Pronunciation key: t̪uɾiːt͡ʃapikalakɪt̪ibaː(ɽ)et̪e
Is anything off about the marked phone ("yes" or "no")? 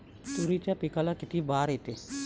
yes